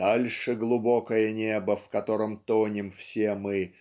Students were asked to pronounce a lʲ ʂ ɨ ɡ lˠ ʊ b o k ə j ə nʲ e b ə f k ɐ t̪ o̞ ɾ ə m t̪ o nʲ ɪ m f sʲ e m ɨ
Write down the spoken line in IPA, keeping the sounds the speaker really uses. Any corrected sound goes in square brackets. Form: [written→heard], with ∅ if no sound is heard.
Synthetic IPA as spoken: a lʲ ʂ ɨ ɡ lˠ ʊ b o k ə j ə nʲ e b ə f k ɐ t̪ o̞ ɾ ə m t̪ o nʲ ɪ m f sʲ e m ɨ